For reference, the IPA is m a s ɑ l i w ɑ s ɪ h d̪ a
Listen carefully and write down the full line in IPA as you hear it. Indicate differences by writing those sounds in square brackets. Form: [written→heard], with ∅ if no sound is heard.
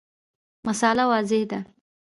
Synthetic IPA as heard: m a s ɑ l [i→a] w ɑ [s→z] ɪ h d̪ a